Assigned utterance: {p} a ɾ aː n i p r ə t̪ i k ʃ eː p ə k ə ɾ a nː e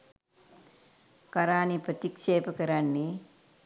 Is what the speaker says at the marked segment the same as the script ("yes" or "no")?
no